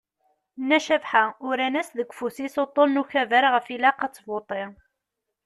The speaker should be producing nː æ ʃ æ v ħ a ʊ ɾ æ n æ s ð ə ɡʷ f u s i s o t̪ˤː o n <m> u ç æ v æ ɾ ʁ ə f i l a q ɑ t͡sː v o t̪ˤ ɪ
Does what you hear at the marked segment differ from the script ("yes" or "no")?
yes